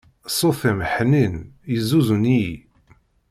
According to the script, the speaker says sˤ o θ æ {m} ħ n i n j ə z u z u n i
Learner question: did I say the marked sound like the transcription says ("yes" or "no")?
yes